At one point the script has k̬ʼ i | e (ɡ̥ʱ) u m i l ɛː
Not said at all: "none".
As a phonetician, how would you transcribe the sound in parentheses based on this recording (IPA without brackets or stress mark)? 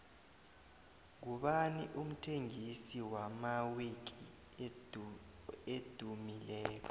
d̥ʱ